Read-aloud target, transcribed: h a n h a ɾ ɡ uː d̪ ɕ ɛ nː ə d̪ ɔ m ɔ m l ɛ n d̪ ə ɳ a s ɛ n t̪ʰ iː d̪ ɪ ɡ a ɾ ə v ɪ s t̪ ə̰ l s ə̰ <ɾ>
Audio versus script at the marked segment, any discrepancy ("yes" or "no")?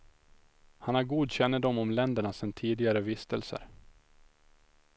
no